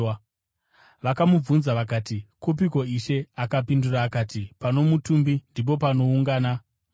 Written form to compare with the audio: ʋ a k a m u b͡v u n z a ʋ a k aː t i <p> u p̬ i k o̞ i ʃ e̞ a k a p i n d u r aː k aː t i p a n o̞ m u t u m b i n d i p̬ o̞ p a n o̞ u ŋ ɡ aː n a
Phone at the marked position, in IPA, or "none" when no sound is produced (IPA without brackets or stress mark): k